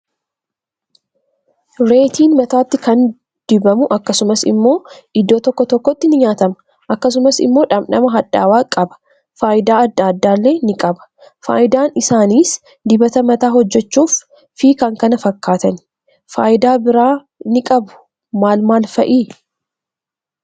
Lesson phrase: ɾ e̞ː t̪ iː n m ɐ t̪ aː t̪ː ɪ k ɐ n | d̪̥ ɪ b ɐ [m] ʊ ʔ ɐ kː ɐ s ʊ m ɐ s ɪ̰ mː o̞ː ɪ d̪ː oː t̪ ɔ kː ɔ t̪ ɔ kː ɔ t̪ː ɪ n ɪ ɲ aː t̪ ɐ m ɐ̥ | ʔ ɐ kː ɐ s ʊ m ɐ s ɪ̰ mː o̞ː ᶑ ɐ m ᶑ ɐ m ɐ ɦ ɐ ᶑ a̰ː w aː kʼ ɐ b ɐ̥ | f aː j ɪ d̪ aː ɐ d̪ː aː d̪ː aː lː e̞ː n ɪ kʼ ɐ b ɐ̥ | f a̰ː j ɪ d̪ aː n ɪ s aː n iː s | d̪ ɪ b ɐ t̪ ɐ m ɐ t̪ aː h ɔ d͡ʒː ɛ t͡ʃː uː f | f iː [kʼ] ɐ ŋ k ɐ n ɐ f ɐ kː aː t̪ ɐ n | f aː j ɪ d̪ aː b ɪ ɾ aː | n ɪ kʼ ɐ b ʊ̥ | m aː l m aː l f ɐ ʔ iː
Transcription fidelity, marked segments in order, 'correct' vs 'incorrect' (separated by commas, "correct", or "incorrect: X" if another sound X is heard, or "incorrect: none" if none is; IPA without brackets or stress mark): correct, incorrect: k